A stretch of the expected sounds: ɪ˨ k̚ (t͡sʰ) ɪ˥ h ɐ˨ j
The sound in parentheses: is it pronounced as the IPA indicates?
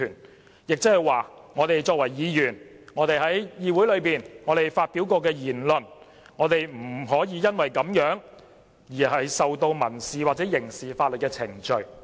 no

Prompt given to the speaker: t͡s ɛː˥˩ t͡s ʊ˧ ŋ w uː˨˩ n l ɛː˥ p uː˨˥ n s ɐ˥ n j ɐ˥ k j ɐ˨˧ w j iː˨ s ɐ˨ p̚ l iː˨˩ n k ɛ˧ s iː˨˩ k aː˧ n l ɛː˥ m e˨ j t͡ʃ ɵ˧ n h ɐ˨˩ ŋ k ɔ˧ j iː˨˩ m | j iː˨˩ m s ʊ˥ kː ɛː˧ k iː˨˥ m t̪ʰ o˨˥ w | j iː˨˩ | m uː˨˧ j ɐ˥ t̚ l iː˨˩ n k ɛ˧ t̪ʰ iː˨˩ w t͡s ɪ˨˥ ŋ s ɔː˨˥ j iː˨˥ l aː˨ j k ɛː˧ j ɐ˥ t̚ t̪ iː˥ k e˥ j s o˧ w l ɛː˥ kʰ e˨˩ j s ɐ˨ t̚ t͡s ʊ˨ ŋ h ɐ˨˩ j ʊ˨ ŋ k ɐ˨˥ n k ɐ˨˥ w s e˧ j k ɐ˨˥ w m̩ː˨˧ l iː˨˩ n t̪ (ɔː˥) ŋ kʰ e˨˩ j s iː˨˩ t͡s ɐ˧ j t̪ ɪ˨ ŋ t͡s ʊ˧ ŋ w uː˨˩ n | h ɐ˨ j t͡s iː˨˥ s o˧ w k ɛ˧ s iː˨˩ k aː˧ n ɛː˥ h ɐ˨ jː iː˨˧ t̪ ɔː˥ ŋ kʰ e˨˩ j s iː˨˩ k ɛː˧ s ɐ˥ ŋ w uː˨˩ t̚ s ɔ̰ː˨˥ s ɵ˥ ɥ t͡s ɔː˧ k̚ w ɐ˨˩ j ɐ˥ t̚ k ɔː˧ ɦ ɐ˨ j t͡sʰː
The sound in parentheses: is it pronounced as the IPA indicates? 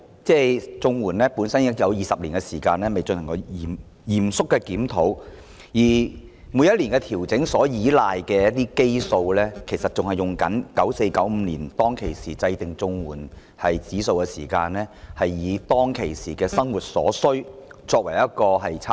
yes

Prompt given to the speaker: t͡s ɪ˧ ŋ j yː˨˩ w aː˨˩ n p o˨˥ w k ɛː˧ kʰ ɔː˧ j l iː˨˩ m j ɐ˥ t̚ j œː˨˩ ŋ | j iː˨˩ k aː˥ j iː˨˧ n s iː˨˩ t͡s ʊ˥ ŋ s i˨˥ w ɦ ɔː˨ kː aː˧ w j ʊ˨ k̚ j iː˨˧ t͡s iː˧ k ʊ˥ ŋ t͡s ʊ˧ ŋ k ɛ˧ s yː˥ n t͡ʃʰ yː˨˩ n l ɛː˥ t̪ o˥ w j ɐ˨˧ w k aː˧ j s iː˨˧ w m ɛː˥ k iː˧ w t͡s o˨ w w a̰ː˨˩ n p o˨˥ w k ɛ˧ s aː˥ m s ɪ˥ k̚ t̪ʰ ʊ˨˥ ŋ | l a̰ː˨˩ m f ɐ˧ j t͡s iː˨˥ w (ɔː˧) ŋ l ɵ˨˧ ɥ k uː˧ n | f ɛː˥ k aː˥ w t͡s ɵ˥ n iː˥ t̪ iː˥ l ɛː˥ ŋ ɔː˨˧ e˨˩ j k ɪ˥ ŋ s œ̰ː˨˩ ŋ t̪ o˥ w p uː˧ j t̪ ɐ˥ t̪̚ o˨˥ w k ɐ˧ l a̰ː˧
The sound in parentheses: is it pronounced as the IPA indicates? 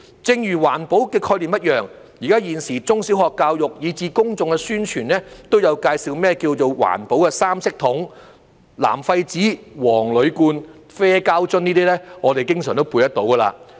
no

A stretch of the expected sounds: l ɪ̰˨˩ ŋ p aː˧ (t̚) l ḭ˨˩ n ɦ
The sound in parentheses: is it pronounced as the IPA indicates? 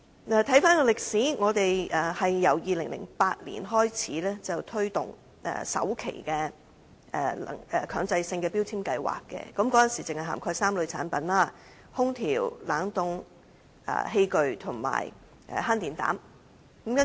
yes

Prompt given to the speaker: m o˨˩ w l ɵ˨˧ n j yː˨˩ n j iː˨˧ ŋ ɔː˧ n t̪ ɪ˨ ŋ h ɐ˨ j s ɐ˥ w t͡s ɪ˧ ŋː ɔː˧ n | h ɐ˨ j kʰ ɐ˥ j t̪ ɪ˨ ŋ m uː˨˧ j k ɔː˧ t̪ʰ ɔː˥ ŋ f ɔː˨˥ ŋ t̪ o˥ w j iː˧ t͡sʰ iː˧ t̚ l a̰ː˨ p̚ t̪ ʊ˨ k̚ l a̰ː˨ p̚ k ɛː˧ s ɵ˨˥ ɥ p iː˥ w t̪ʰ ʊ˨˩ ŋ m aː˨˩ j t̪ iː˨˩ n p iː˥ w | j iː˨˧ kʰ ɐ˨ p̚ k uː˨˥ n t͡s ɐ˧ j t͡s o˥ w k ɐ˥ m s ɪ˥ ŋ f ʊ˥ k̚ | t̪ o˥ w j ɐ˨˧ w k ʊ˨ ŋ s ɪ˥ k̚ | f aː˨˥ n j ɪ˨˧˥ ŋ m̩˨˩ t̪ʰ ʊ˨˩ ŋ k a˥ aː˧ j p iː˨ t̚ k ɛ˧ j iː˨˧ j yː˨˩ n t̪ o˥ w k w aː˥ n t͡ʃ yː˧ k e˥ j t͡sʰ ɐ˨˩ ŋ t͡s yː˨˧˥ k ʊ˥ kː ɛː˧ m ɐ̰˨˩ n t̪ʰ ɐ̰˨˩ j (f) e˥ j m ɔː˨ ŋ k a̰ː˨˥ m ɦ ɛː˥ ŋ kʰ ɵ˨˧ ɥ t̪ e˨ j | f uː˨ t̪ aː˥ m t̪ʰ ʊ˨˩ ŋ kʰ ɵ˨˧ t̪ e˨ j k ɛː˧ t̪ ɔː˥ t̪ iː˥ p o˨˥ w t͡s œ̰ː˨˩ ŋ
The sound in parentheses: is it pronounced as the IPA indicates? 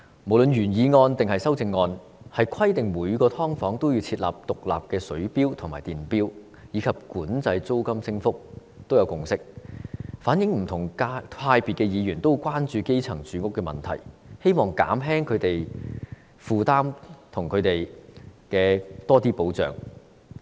no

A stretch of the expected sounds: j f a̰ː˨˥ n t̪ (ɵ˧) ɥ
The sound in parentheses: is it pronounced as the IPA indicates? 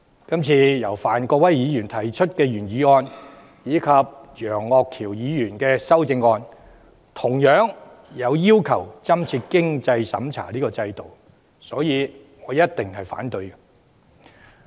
yes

